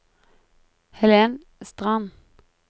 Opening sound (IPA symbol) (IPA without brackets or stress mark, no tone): h